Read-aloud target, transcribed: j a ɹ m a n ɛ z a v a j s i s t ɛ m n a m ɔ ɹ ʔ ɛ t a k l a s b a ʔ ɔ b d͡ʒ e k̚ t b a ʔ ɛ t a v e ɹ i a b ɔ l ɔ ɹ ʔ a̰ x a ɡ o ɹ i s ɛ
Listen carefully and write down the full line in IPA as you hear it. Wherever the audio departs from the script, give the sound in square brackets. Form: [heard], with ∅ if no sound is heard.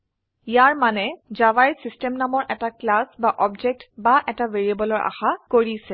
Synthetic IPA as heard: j a ɹ m a n ɛ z a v a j s i s t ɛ m n a m ɔ ɹ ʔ ɛ t a k l a s b a ʔ ɔ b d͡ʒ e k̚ t b a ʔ ɛ t a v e ɹ i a b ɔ l ɔ ɹ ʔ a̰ x a [k] o ɹ i s ɛ